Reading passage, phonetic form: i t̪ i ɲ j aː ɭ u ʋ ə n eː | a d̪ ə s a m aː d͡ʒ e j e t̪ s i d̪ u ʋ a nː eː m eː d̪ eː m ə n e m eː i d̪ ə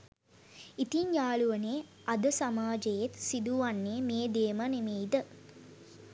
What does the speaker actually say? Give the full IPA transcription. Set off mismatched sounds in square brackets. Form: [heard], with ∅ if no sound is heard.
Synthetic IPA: i t̪ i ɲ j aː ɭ u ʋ ə n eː | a d̪ ə s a m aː d͡ʒ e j e t̪ s i d̪ u ʋ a nː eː m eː d̪ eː m ə n e m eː i d̪ ə